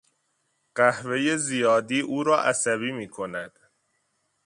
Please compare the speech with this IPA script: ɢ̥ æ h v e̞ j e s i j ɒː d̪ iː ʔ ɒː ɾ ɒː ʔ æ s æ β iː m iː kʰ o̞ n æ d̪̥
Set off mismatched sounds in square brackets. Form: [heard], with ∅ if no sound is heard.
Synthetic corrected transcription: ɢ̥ æ h v e̞ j e [z] i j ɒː d̪ iː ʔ [uː] ɾ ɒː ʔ æ s æ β iː m iː kʰ o̞ n æ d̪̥

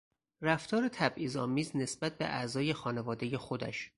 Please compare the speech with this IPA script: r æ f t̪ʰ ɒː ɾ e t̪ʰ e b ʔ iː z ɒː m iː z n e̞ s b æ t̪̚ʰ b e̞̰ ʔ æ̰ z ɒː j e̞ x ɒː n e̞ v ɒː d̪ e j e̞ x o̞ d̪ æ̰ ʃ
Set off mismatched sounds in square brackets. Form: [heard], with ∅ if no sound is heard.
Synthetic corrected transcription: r æ f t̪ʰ ɒː ɾ e t̪ʰ [æ] b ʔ iː z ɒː m iː z n e̞ s b æ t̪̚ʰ b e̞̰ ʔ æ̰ z ɒː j e̞ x ɒː n e̞ v ɒː d̪ e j e̞ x o̞ d̪ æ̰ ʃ

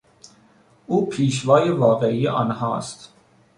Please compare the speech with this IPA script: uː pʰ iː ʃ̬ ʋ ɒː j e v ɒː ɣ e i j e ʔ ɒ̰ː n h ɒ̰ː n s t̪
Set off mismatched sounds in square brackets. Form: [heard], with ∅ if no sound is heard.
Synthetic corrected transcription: uː pʰ iː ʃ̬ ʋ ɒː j e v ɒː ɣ e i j e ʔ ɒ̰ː n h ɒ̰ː [∅] s t̪

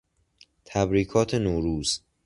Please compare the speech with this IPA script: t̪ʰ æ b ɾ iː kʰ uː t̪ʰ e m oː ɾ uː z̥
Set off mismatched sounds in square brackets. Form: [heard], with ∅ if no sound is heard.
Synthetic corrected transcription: t̪ʰ æ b ɾ iː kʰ [ɒː] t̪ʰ e [n] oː ɾ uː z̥

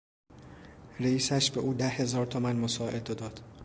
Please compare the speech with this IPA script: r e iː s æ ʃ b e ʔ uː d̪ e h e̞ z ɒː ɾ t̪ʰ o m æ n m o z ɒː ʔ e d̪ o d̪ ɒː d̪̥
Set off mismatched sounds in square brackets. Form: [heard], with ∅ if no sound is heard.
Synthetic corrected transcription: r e iː s æ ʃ b e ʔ uː d̪ [æ] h e̞ z ɒː ɾ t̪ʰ o m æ n m o [s] ɒː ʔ e d̪ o d̪ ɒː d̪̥

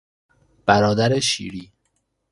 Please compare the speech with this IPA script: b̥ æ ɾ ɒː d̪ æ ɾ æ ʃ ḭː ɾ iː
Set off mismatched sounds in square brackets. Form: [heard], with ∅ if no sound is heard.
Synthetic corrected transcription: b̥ æ ɾ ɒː d̪ æ ɾ [e] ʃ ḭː ɾ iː

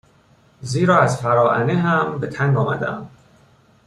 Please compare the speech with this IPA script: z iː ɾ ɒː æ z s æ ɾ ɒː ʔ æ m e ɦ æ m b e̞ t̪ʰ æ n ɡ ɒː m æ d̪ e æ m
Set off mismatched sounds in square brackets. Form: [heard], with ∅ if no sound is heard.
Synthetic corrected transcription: z iː ɾ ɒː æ z [f] æ ɾ ɒː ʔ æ [n] e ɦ æ m b e̞ t̪ʰ æ [ŋ] ɡ ɒː m æ d̪ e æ m

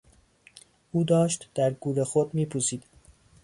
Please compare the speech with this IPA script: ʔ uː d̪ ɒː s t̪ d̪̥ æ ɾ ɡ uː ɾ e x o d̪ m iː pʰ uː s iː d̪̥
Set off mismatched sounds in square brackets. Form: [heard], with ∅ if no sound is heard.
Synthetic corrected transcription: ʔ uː d̪ ɒː [ʃ] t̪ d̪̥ æ ɾ ɡ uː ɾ e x o d̪ m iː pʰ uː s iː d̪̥

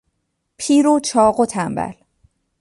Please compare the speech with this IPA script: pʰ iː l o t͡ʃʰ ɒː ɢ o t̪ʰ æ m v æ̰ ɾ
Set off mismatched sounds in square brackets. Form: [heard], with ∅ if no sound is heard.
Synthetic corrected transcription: pʰ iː [ɾ] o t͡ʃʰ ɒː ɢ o t̪ʰ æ m [b] æ̰ [l]

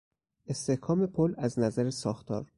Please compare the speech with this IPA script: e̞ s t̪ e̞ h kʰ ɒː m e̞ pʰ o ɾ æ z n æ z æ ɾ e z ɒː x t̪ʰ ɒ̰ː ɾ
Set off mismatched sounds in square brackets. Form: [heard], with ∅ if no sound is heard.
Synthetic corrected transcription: e̞ s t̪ e̞ h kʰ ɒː m e̞ pʰ o [l] æ z n æ z æ ɾ e [s] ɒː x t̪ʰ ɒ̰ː ɾ

